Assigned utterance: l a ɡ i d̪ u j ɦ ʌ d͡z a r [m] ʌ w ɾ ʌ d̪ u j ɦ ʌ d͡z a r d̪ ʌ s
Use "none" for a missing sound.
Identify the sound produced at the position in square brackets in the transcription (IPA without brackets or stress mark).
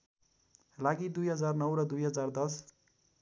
n